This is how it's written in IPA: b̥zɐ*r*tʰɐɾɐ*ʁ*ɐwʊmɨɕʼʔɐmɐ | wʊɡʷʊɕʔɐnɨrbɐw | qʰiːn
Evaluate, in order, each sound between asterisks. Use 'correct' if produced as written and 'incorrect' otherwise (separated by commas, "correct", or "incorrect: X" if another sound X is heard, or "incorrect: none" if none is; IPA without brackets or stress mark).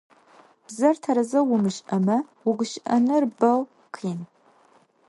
correct, incorrect: z